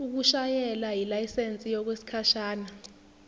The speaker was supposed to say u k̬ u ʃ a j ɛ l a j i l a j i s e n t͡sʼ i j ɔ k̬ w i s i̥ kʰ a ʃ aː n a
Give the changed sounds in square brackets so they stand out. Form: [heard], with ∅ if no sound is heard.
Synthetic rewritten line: u k̬ u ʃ a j ɛ l a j i l a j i s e n t͡sʼ i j ɔ k̬ w [e] s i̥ kʰ a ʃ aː n a

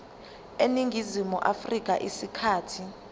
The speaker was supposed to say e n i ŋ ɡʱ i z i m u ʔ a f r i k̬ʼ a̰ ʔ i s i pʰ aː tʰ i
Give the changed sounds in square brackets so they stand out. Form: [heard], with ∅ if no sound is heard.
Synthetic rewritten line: e n i ŋ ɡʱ i z i m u ʔ a f r i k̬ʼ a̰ ʔ i s i [kʰ] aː tʰ i

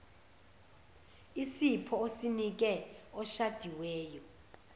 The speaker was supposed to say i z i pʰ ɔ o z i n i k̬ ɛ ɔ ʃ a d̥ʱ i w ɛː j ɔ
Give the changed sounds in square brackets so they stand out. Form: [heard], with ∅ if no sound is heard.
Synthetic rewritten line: i [s] i pʰ ɔ o [s] i n i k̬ ɛ ɔ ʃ a d̥ʱ i w ɛː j ɔ

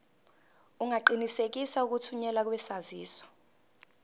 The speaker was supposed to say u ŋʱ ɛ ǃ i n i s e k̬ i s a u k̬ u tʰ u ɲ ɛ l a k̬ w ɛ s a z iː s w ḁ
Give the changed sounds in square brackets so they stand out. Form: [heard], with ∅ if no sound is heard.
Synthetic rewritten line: u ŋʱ [a] ǃ i n i s e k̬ i s a u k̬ u tʰ u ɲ ɛ l a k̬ w ɛ s a z iː s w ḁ

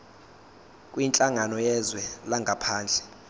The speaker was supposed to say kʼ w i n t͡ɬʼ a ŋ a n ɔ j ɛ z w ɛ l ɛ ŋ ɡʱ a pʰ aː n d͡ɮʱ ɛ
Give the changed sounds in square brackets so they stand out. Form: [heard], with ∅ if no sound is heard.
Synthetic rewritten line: kʼ w i n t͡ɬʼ a ŋ a n ɔ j ɛ z w ɛ l [a] ŋ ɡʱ a pʰ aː n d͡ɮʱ ɛ

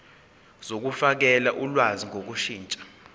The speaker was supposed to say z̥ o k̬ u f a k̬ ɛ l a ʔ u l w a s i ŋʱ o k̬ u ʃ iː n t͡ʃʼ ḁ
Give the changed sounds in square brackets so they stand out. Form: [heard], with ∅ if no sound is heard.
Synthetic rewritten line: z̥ o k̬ u f a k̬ ɛ l a ʔ u l w a [z] i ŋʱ o k̬ u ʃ iː n t͡ʃʼ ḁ

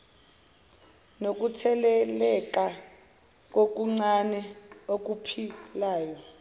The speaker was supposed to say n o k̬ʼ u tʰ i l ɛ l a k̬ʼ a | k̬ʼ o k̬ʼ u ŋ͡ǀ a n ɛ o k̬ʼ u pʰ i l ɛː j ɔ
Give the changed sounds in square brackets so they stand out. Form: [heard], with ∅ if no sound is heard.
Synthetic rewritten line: n o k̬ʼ u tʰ [ɛ] l ɛ l [ɛ] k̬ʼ a | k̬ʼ o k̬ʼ u ŋ͡ǀ a n ɛ o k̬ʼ u pʰ i l [aː] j ɔ

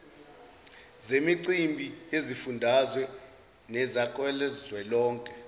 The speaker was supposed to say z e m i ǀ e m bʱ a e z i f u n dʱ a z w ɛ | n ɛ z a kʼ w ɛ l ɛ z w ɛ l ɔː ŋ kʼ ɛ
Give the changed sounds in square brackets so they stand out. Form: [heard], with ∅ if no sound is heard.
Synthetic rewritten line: z e m i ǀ [i] m bʱ [i] e z i f u n dʱ a z w ɛ | n ɛ z a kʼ w ɛ l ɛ z w ɛ l ɔː ŋ kʼ ɛ

